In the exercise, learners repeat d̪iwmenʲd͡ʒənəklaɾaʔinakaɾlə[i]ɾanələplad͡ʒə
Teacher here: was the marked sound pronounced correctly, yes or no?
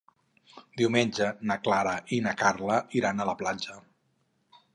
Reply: yes